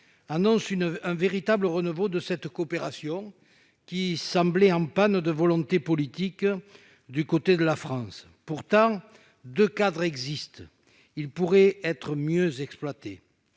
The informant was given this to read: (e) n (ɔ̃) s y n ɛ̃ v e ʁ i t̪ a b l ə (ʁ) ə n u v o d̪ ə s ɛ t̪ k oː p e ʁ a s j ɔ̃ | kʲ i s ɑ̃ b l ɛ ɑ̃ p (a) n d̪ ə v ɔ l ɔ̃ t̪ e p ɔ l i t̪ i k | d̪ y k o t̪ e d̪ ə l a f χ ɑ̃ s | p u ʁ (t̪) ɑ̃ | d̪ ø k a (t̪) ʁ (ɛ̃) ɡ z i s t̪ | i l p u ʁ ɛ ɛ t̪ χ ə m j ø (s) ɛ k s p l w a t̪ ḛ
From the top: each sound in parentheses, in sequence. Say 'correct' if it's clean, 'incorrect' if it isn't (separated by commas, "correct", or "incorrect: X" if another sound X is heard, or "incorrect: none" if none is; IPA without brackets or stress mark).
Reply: incorrect: a, correct, correct, correct, correct, incorrect: d̪, incorrect: ɛ, incorrect: z